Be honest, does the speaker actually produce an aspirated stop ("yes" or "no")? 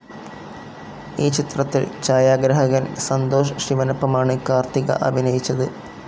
no